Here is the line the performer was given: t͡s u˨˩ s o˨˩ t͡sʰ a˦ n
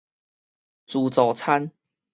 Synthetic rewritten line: t͡s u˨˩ t͡s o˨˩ t͡sʰ a˦ n